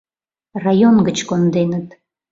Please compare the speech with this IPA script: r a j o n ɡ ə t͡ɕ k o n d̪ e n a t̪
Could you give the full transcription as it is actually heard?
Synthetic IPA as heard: r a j o n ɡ ə t͡ɕ k o n d̪ e n ə t̪